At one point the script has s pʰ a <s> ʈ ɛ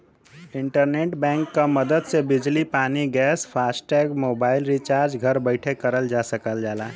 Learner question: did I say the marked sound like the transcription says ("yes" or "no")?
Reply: yes